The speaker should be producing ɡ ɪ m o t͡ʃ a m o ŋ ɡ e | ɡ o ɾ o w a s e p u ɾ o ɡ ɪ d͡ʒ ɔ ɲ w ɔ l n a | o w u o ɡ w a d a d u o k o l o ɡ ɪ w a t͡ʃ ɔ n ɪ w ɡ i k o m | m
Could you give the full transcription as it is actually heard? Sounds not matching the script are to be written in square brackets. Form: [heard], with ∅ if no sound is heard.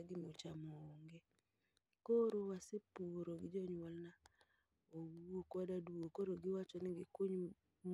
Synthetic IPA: ɡ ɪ m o t͡ʃ a m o ŋ ɡ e | [k] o ɾ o w a s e p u ɾ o ɡ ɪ d͡ʒ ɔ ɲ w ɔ l n a | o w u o [k] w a d a d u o k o [ɾ] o ɡ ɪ w a t͡ʃ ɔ n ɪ [∅] ɡ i k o [ɲ] | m